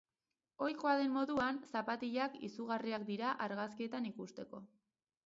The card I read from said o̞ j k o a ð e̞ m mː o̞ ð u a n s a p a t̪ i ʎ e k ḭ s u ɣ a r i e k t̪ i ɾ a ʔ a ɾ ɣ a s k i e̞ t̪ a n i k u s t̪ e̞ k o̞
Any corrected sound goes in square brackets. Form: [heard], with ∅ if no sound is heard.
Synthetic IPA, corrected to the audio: o̞ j k o a ð e̞ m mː o̞ ð u a n s a p a t̪ i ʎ [a] k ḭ s u ɣ a r i [a] k [d̪] i ɾ a ʔ a ɾ ɣ a s k i e̞ t̪ a n i k u s t̪ e̞ k o̞

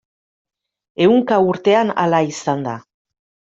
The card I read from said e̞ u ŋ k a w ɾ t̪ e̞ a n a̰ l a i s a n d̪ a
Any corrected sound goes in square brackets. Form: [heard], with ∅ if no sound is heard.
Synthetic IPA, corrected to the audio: e̞ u ŋ k a [u] ɾ t̪ e̞ a n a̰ l a i s a n d̪ a

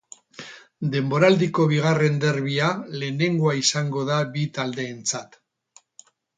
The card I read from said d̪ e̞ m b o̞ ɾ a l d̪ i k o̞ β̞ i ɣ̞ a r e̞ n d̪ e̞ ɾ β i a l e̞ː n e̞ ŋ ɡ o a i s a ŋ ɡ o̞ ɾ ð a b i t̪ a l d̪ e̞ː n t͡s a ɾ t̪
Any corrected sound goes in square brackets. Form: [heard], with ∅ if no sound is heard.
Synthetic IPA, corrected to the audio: d̪ e̞ m b o̞ ɾ a l d̪ i k o̞ β̞ i ɣ̞ a r e̞ n d̪ e̞ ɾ β i a l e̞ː n e̞ ŋ ɡ o a i s a ŋ ɡ o̞ [∅] ð a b i t̪ a l d̪ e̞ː n t͡s a [∅] t̪

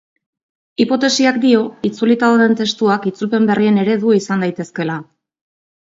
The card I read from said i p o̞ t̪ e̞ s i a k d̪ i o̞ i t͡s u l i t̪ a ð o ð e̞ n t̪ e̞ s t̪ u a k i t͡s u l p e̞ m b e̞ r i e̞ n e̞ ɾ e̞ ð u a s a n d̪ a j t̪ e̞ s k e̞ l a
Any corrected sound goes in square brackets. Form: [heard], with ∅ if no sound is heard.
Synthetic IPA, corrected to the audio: i p o̞ t̪ e̞ s i a k d̪ i o̞ i t͡s u l i t̪ a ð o ð e̞ n t̪ e̞ s t̪ u a k i t͡s u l p e̞ m b e̞ r i e̞ n e̞ ɾ e̞ ð u [i] s a n d̪ a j t̪ e̞ s k e̞ l a

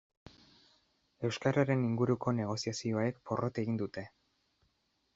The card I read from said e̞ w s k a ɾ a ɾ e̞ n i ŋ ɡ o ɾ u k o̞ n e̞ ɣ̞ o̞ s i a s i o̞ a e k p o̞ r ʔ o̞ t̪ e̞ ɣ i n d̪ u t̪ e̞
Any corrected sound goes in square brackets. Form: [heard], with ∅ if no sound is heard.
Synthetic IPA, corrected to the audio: e̞ w s k a ɾ a ɾ e̞ n i ŋ ɡ [u] ɾ u k o̞ n e̞ ɣ̞ o̞ s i a s i o̞ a e k p o̞ r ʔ o̞ t̪ e̞ ɣ i n d̪ u t̪ e̞

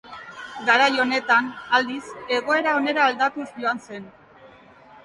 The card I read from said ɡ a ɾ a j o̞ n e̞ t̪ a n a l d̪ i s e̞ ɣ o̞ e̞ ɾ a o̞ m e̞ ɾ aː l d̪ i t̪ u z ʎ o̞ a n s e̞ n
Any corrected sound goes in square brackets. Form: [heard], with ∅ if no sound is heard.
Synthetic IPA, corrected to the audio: ɡ a ɾ a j o̞ n e̞ t̪ a n a l d̪ i s e̞ ɣ o̞ e̞ ɾ a o̞ [n] e̞ ɾ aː l d̪ [a] t̪ u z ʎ o̞ a n s e̞ n

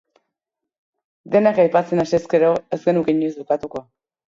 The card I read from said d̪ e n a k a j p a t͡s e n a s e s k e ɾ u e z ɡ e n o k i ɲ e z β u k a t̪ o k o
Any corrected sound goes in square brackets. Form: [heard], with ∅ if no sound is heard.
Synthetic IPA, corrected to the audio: d̪ e n a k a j p a t͡s e n a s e s k e ɾ [o] e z ɡ e n [u] k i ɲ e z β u k a t̪ [u] k o

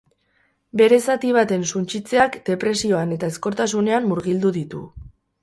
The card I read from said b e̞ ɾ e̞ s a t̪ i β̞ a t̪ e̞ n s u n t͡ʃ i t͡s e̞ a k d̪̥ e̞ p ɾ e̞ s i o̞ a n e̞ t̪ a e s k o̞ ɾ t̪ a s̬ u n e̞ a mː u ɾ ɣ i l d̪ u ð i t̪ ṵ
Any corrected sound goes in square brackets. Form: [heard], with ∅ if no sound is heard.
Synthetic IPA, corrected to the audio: b e̞ ɾ e̞ s a t̪ i β̞ a t̪ e̞ n s u n t͡ʃ i t͡s e̞ a k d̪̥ e̞ p ɾ e̞ s i o̞ a n e̞ t̪ a e s k o̞ ɾ t̪ a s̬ u n e̞ a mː u ɾ ɣ i l d̪ u ð i t̪ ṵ

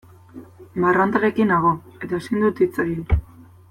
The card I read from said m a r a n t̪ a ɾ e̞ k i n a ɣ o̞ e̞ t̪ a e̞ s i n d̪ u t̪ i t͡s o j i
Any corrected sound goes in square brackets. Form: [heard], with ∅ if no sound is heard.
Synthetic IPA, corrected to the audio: m a r a n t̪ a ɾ e̞ k i n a ɣ o̞ e̞ t̪ a e̞ s i n d̪ u t̪ i t͡s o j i

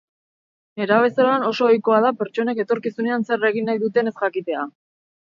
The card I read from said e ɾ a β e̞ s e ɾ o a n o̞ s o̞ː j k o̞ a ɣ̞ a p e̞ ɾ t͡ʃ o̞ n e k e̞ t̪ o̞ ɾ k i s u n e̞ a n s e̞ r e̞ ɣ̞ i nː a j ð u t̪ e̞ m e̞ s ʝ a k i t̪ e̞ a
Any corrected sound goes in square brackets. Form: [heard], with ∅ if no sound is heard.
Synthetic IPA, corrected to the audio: e ɾ a β e̞ s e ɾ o a n o̞ s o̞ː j k o̞ a [ð̞] a p e̞ ɾ t͡ʃ o̞ n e k e̞ t̪ o̞ ɾ k i s u n e̞ a n s e̞ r e̞ ɣ̞ i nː a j ð u t̪ e̞ [n] e̞ s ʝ a k i t̪ e̞ a

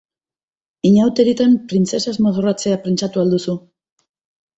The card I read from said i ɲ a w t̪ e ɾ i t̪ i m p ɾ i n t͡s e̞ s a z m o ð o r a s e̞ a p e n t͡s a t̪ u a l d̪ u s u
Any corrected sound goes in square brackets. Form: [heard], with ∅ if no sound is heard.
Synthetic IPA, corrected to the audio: i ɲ a w t̪ e ɾ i t̪ [a] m p ɾ i n t͡s e̞ s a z m o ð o r a [t͡s] e̞ a p e n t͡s a t̪ u a l d̪ u s u

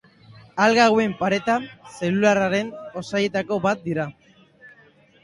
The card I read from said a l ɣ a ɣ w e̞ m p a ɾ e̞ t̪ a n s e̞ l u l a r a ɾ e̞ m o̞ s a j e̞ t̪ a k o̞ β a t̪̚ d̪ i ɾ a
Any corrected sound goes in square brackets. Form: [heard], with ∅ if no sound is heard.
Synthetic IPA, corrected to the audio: a l ɣ a ɣ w e̞ m p a ɾ e̞ t̪ a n s e̞ l u l a r a ɾ e̞ [n] o̞ s a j e̞ t̪ a k o̞ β a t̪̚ d̪ i ɾ a

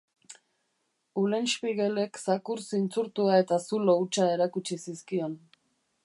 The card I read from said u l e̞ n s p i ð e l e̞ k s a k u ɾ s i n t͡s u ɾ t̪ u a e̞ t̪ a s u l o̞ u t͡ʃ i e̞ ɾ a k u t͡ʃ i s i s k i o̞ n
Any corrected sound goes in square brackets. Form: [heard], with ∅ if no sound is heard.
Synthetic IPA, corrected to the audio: u l e̞ n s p i [ɣ] e l e̞ k s a k u ɾ s i n t͡s u ɾ t̪ u a e̞ t̪ a s u l o̞ u t͡ʃ [a] e̞ ɾ a k u t͡ʃ i s i s k i o̞ n

